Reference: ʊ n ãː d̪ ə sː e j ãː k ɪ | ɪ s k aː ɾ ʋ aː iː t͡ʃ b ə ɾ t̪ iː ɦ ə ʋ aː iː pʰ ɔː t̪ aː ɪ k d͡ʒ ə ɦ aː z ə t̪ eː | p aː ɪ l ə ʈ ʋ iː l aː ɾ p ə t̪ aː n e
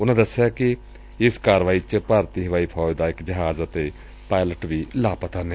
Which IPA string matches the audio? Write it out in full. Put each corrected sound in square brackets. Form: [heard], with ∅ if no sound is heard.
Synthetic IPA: ʊ n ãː d̪ ə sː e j [aː] k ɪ | ɪ s k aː ɾ ʋ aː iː t͡ʃ [p] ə ɾ t̪ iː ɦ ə ʋ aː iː pʰ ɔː [d̪] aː ɪ k d͡ʒ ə ɦ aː z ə t̪ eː | p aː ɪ l ə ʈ ʋ iː l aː [∅] p ə t̪ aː n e